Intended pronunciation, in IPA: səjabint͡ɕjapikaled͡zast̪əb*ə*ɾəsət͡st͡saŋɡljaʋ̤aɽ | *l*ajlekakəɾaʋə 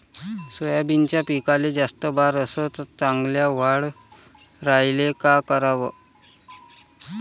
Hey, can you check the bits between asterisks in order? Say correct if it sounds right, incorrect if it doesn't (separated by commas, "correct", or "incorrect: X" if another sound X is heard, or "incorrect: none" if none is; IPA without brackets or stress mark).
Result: incorrect: a, incorrect: ɾ